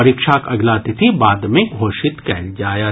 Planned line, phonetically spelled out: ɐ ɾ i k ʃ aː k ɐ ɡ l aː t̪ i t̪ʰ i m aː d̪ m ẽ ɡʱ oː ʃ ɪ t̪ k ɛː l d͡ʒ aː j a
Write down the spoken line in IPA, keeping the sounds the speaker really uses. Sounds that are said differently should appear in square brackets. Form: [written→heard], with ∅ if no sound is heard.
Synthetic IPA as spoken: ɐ ɾ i k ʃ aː k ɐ ɡ l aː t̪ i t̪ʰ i [m→b] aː d̪ m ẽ ɡʱ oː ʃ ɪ t̪ k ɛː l d͡ʒ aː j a